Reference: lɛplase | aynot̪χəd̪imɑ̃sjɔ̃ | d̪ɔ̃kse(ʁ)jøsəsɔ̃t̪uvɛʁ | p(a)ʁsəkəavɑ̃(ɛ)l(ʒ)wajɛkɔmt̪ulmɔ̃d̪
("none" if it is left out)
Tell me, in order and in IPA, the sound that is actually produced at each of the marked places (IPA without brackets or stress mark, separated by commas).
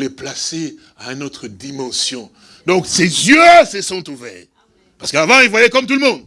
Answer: z, a, i, v